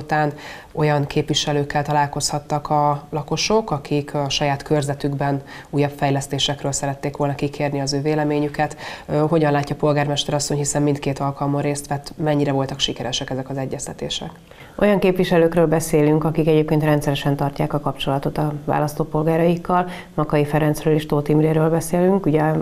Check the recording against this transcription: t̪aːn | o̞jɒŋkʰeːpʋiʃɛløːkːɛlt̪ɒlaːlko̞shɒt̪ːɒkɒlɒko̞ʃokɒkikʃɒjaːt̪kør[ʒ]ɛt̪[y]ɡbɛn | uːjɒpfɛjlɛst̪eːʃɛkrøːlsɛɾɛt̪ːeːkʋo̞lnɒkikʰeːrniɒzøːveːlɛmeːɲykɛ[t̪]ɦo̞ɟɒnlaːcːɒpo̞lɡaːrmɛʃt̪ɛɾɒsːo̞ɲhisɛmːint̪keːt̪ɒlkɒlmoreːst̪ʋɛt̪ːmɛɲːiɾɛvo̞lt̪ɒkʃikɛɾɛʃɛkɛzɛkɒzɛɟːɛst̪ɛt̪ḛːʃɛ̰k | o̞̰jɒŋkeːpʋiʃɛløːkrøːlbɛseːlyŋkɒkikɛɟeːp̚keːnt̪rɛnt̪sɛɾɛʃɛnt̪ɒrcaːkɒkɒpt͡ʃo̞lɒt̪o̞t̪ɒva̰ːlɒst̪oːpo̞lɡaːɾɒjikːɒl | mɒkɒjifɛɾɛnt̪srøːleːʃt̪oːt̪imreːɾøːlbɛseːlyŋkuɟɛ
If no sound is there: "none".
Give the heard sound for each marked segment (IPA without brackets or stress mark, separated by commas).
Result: z, y, t̪